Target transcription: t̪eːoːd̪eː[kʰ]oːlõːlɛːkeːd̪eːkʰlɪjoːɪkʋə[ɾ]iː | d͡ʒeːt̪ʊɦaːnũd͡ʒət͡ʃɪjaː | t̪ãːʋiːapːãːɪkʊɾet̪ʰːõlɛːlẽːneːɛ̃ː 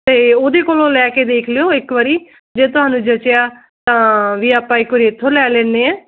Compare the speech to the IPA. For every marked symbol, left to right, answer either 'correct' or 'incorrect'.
incorrect: k, correct

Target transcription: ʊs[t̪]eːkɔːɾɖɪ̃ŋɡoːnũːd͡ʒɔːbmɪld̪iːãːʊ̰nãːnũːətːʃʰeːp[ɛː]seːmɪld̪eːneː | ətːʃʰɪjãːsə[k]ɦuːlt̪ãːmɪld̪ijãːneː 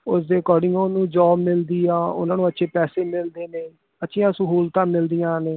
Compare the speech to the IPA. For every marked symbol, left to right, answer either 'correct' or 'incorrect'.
incorrect: d̪, correct, incorrect: none

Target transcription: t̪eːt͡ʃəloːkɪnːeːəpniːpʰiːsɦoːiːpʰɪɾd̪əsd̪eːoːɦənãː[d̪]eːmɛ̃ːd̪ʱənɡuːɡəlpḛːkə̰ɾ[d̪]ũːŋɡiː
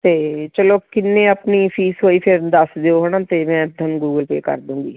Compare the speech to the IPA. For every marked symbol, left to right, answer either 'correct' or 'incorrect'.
incorrect: t̪, correct

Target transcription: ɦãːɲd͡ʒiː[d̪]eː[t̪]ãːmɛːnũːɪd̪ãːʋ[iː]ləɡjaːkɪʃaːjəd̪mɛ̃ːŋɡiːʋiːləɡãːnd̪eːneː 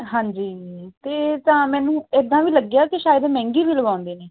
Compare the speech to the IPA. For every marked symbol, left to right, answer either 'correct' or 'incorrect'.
incorrect: t̪, correct, correct

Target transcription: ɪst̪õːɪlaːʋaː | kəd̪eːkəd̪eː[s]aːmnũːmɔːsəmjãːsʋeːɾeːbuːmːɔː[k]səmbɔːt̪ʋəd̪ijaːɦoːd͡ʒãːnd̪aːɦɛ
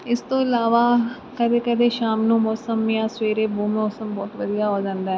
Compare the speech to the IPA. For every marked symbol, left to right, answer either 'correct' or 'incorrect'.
incorrect: ʃ, incorrect: none

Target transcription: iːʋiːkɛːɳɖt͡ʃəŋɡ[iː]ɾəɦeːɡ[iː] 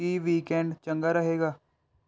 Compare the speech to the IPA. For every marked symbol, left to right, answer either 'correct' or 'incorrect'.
incorrect: aː, incorrect: aː

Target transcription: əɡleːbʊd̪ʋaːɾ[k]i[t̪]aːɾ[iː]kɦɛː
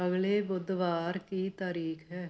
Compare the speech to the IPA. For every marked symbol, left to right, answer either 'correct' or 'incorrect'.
correct, correct, correct

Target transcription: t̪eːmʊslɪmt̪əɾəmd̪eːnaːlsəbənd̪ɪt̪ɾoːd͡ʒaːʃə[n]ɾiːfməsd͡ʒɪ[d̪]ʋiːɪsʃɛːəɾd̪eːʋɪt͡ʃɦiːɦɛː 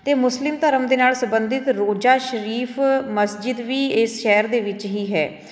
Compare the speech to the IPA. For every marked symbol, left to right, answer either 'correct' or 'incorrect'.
incorrect: none, correct

